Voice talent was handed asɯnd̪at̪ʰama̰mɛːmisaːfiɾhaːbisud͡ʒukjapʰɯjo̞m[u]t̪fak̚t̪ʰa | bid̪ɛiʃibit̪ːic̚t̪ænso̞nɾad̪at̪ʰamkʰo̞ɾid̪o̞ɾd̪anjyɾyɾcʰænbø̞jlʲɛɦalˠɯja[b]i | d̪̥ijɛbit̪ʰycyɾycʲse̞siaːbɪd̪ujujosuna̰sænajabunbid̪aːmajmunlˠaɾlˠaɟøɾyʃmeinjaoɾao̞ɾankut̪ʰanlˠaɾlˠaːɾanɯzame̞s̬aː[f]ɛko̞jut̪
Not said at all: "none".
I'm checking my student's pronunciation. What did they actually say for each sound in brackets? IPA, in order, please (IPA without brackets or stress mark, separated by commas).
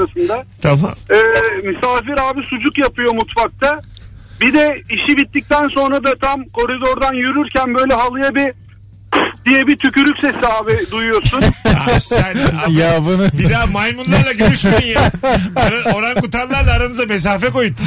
u, b, f